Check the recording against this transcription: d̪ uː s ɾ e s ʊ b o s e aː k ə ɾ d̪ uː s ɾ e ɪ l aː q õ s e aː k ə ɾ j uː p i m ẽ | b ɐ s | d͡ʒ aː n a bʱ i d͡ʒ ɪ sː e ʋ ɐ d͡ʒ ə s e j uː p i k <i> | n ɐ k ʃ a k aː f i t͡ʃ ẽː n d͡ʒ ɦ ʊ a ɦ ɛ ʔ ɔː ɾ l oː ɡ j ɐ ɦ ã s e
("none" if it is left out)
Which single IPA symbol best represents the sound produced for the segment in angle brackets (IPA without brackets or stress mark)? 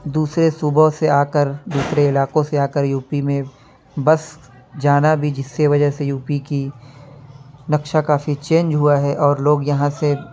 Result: i